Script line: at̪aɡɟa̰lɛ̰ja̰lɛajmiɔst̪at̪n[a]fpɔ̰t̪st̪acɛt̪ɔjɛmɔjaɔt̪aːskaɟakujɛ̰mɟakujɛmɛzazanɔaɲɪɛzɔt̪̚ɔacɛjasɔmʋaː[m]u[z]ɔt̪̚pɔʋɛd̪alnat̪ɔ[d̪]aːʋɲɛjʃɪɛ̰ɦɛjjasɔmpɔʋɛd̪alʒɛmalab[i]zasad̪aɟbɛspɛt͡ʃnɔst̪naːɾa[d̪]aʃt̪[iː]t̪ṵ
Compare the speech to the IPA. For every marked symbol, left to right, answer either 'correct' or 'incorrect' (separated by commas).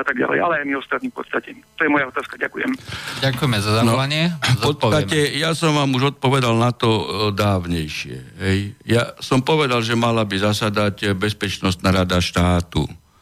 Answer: incorrect, correct, incorrect, correct, correct, correct, incorrect